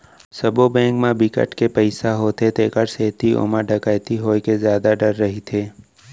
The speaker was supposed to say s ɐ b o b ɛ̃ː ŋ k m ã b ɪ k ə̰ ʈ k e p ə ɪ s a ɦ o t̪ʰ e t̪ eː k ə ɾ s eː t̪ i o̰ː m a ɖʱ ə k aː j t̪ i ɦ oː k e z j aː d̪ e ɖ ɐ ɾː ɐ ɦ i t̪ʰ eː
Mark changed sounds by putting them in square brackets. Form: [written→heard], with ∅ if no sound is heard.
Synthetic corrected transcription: s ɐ b o b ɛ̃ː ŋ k m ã b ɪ k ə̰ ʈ k e p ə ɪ s a ɦ o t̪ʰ e t̪ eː k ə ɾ s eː t̪ i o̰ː m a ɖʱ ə k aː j t̪ i ɦ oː k e z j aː d̪ [e→a] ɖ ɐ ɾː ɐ ɦ i t̪ʰ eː